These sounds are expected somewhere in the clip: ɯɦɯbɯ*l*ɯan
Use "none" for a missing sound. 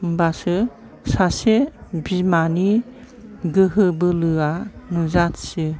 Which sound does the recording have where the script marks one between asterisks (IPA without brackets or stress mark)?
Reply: l